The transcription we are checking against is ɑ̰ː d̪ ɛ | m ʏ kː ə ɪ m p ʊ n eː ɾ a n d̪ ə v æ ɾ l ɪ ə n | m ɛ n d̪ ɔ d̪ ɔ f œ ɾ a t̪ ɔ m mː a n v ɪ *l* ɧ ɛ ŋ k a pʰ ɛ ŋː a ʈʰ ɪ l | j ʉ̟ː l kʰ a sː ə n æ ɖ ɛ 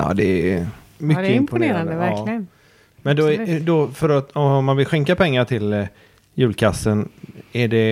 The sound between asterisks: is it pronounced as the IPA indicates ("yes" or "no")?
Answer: yes